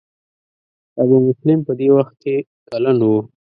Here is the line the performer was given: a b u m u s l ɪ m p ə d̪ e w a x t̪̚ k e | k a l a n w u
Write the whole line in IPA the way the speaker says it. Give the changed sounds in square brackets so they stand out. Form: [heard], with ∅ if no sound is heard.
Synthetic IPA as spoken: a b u m [ʊ] s l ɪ m p ə d̪ e w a x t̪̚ k e | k a l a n w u